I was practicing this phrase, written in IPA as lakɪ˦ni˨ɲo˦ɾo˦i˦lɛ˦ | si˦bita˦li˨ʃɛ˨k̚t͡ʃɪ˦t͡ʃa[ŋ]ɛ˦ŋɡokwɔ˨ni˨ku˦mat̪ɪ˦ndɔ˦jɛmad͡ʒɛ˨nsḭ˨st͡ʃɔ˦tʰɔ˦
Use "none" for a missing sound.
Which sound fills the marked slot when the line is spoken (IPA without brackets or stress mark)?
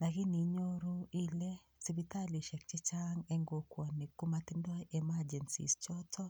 ŋ